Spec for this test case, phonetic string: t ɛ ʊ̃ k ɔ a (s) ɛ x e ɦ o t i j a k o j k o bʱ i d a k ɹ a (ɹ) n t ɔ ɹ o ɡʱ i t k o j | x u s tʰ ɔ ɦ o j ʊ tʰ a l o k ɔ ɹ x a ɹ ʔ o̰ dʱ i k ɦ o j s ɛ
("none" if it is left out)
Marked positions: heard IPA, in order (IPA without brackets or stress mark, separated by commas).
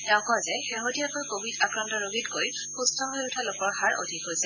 z, none